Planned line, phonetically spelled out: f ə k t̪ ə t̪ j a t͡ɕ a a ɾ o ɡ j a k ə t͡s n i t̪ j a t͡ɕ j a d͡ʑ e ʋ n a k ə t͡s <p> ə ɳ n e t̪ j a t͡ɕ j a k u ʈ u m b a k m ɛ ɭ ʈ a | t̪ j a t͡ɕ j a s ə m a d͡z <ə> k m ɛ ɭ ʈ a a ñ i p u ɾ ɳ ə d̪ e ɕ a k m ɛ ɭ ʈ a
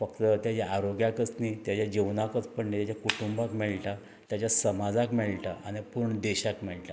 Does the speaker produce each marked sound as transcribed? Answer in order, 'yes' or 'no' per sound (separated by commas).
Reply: yes, no